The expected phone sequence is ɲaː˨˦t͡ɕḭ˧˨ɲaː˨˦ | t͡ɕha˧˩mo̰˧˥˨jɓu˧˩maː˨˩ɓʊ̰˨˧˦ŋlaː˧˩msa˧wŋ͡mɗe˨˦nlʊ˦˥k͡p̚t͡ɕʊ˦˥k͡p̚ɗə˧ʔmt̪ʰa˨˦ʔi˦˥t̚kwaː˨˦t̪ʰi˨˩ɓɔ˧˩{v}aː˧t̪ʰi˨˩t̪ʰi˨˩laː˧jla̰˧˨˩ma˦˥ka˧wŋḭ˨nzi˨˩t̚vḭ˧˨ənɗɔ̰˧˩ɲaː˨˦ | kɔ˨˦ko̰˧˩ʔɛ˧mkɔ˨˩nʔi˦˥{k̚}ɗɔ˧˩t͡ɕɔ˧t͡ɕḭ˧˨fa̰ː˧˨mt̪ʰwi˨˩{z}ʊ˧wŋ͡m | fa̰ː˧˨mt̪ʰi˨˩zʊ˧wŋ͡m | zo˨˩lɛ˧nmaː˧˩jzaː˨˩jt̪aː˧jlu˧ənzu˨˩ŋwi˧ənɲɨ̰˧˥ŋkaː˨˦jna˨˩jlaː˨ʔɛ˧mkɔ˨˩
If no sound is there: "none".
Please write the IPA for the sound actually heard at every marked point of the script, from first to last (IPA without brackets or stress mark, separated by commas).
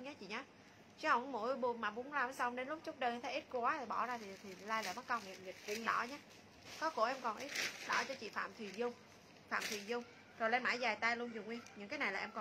z, t̚, z